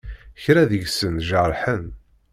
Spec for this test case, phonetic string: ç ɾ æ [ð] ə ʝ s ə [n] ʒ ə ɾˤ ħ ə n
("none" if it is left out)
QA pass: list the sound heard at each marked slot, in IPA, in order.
ð, n

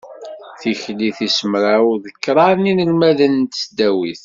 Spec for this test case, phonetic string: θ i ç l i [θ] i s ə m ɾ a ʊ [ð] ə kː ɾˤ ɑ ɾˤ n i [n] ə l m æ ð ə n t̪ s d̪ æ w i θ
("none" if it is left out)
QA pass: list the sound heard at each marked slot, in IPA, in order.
θ, ð, n

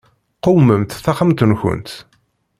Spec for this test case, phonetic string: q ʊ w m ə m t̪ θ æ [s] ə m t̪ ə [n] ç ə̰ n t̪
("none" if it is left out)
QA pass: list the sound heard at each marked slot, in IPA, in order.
χ, n

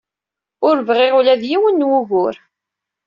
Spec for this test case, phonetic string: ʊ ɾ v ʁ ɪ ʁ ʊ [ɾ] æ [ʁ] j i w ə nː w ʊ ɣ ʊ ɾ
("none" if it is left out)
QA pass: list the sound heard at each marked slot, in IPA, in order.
l, ð

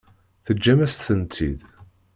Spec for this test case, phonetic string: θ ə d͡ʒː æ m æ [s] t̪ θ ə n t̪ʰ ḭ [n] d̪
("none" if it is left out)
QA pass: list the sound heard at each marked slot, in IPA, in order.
s, none

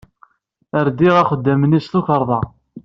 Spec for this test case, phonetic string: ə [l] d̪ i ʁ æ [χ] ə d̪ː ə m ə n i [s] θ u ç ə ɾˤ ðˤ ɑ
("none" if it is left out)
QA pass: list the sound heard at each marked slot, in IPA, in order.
ɾ, χ, s

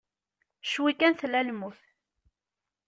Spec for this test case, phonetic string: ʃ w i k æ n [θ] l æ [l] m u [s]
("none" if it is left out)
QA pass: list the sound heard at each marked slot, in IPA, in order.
θ, l, θ

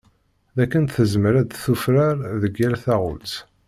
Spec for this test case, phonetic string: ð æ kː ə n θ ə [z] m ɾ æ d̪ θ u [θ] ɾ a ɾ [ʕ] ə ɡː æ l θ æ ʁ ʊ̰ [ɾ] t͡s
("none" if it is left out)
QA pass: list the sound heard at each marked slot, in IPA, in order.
z, f, ð, l

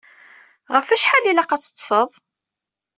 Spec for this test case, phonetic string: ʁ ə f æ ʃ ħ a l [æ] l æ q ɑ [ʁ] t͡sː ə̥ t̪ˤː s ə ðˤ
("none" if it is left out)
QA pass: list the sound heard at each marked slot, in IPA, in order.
i, none

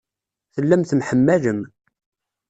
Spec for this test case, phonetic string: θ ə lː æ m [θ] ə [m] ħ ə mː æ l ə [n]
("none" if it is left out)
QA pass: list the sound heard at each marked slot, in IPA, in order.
θ, m, m

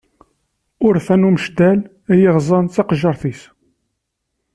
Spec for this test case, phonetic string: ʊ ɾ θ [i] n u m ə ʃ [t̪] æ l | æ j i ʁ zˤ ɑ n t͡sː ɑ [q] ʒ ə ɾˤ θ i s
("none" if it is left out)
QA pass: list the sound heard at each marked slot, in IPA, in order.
æ, d̪, q

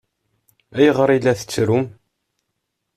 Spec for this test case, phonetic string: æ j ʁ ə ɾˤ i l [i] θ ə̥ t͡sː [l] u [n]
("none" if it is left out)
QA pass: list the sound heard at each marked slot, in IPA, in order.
æ, ɾ, m

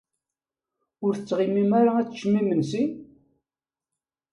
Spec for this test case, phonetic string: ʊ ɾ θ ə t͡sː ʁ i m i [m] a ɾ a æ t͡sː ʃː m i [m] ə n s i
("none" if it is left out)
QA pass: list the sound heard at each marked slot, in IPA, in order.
m, m

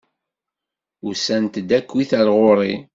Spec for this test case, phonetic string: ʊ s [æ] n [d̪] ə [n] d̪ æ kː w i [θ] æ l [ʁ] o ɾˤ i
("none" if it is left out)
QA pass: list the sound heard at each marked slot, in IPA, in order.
æ, t̪, none, θ, ʁ

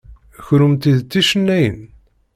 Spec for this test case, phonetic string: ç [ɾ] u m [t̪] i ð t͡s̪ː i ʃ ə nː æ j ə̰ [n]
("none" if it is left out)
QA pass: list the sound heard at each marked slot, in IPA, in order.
ɾ, t̪, n

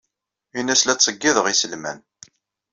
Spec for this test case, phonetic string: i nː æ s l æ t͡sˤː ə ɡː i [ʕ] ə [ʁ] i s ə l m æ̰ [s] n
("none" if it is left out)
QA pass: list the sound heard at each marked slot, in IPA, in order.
ð, ʁ, none

